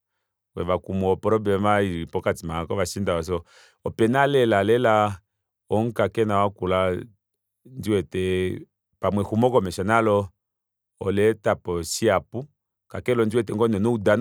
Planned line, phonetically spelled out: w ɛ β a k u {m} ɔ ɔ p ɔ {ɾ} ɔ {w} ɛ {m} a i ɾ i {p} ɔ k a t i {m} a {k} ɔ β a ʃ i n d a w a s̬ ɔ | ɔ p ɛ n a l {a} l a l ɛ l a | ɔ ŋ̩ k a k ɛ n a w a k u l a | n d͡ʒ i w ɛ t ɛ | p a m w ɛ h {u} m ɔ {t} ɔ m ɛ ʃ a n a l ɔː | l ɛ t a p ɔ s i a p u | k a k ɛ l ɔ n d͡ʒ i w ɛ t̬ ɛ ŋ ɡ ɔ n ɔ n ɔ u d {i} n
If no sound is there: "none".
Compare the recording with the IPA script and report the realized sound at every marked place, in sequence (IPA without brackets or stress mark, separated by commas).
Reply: m, ɾ, b, m, p, m, k, ɛ, u, k, a